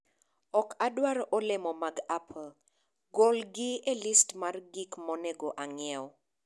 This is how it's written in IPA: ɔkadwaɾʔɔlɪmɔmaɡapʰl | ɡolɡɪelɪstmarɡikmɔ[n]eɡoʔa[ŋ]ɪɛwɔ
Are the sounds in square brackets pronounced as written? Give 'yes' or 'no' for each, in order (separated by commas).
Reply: yes, yes